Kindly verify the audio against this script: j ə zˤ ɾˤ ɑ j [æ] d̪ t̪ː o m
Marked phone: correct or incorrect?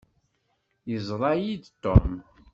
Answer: incorrect